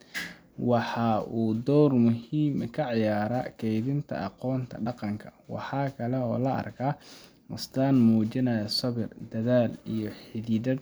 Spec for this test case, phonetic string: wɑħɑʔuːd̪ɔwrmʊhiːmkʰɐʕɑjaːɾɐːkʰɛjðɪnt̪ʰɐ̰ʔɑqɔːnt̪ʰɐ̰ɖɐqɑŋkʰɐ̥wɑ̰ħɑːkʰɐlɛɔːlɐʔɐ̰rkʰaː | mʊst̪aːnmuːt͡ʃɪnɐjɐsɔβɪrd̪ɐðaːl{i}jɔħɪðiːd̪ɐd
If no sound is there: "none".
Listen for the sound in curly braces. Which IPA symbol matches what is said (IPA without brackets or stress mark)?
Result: i